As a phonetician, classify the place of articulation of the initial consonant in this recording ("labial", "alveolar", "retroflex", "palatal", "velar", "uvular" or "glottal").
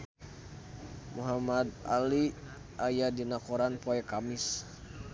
labial